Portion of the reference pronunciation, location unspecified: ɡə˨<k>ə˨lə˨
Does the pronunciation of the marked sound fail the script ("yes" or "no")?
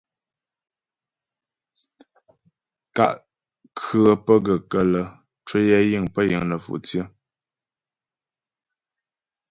no